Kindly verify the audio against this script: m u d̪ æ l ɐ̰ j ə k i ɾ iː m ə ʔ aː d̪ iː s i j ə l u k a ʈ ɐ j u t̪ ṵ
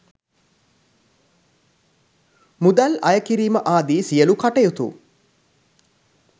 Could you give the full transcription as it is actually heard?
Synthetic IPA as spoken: m u d̪ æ l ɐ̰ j ə k i ɾ iː m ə ʔ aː d̪ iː s i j ə l u k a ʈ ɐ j u t̪ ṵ